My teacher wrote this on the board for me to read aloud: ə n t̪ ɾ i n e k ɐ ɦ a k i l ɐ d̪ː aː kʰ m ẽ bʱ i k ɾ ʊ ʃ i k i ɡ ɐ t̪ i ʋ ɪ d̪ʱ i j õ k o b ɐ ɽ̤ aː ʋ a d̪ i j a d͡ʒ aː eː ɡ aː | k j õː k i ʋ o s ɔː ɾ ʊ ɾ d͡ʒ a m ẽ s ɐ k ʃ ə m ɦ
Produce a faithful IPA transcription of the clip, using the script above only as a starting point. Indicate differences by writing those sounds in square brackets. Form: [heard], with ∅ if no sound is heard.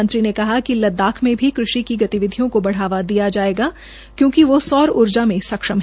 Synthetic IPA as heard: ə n t̪ ɾ i n e k ɐ ɦ a k i l ɐ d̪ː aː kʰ m ẽ bʱ i k ɾ ʊ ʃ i k i ɡ ɐ t̪ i ʋ ɪ d̪ʱ i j õ k o b ɐ ɽ̤ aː ʋ a d̪ i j a d͡ʒ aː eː ɡ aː | k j õː k i ʋ o s ɔː ɾ ʊ ɾ d͡ʒ a m ẽ s ɐ k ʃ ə m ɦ